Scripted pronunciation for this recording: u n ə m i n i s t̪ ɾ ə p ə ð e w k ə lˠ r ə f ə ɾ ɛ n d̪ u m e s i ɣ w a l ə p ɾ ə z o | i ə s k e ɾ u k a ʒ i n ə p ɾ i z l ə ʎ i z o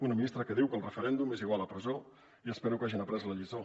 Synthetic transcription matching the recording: u n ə m i n i s t̪ ɾ ə k ə ð i w k ə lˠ r ə f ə ɾ ɛ n d̪ u m e z i ɣ w a l ə p ɾ ə z o | i ə s p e ɾ u k a ʒ i n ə p ɾ ɛ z l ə ʎ i z o